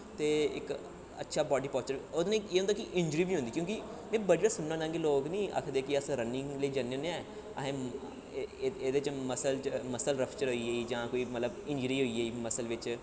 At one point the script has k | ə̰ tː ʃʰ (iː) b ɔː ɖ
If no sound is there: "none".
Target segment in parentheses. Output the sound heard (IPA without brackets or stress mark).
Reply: aː